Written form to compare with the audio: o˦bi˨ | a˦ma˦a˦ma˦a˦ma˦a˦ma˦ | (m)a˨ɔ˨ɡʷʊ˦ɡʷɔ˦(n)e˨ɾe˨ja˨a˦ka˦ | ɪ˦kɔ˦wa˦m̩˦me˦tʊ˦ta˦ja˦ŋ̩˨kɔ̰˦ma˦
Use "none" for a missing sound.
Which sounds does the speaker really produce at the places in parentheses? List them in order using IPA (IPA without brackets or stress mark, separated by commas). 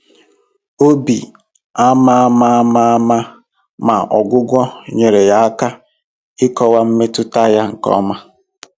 m, ɲ